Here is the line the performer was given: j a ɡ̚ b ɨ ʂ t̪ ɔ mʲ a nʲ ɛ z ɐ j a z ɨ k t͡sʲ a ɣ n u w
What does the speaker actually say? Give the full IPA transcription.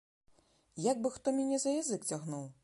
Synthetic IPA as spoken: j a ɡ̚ b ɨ x t̪ ɔ mʲ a nʲ ɛ z ɐ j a z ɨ k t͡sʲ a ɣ n u w